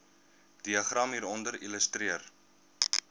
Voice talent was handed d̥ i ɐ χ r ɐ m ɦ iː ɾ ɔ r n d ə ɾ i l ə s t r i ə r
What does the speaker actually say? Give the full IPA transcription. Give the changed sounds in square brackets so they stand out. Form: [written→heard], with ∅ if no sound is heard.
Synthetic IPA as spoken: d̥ i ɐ χ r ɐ m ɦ iː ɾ ɔ [r→∅] n d ə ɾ i l ə s t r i ə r